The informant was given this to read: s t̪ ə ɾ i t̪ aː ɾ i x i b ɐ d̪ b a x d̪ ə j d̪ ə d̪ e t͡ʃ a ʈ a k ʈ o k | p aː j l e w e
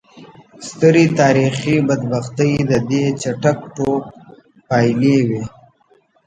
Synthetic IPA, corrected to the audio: s t̪ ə ɾ i t̪ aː ɾ i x i b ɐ d̪ b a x t̪ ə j d̪ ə d̪ e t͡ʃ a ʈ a k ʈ o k | p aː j l e w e